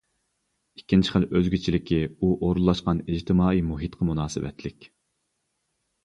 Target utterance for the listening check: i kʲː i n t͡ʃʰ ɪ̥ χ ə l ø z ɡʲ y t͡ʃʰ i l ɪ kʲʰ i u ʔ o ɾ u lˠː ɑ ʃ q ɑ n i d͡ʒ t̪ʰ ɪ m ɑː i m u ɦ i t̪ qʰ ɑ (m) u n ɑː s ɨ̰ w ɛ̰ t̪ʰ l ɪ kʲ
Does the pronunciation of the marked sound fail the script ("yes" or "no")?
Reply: no